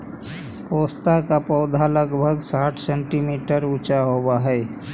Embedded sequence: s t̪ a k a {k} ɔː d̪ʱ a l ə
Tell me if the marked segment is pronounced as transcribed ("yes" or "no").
no